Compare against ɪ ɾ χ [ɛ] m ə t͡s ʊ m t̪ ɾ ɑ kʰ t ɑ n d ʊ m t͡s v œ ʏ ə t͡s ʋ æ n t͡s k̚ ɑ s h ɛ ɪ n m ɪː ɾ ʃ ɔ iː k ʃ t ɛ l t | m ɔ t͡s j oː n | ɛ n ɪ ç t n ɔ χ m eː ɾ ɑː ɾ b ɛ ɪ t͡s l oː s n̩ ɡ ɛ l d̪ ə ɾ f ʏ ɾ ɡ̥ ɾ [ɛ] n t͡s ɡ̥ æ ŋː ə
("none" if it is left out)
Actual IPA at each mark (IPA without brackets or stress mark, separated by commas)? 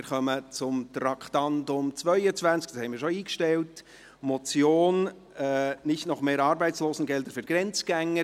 œ, ɛ